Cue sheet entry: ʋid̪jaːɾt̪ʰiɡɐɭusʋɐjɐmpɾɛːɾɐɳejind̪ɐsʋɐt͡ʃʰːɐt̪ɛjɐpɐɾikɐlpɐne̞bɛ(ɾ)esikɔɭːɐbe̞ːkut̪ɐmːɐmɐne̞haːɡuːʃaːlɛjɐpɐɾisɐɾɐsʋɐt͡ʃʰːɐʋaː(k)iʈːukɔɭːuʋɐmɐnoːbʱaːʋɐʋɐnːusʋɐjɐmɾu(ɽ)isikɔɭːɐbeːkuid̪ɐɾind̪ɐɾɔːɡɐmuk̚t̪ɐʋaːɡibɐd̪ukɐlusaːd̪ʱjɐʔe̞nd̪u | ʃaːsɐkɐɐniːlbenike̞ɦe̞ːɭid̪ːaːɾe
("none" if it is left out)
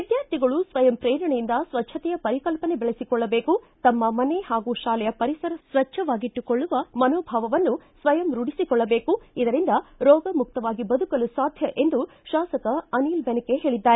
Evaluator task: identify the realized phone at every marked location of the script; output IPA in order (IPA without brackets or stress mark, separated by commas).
ɭ, ɡ, ɽ